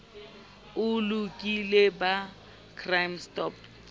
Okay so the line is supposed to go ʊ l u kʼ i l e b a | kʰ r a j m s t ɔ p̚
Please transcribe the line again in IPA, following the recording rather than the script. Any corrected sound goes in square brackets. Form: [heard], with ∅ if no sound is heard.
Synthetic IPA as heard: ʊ l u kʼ i l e b a | kʰ r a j m s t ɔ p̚